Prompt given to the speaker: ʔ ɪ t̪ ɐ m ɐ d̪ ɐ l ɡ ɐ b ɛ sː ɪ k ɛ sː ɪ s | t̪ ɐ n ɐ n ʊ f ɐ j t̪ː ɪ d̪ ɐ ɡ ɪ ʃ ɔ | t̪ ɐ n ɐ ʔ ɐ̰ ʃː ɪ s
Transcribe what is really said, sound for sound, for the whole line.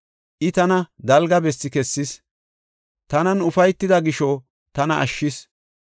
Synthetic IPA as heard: ʔ ɪ t̪ ɐ n ɐ d̪ ɐ l ɡ ɐ b ɛ sː ɪ k ɛ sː ɪ s | t̪ ɐ n ɐ n ʊ f ɐ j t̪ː ɪ d̪ ɐ ɡ ɪ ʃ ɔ | t̪ ɐ n ɐ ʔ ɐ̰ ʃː ɪ s